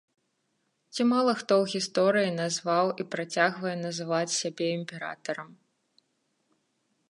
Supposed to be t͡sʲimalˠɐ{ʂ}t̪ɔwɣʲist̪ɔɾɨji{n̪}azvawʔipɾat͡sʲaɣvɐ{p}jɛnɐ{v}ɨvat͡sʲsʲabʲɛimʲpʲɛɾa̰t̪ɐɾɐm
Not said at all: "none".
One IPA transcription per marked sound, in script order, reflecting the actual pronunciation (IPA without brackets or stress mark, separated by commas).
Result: x, n̪, none, z